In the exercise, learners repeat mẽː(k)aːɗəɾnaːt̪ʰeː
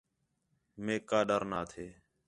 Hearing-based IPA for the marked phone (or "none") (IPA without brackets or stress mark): k